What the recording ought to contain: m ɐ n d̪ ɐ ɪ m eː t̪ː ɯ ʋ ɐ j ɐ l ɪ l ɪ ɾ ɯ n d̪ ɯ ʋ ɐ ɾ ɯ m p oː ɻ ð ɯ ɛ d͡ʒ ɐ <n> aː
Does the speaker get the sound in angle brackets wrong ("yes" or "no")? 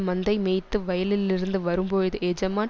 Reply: yes